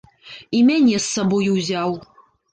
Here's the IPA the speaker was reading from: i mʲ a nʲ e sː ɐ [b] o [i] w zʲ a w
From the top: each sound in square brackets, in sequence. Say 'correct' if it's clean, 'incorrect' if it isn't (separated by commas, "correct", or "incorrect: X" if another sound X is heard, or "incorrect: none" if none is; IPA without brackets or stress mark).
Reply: correct, incorrect: j